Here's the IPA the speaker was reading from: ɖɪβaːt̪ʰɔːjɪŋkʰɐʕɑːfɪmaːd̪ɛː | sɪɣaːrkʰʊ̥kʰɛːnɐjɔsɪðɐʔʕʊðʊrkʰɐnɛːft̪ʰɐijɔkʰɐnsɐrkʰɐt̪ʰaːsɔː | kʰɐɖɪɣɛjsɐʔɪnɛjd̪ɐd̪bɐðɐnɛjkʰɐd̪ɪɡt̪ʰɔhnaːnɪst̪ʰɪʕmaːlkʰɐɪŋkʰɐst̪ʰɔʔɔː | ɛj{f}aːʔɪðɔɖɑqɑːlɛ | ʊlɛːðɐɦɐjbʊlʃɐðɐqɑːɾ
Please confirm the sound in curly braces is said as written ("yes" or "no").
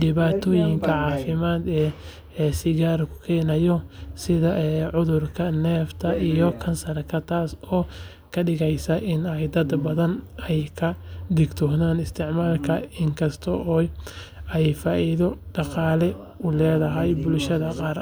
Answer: yes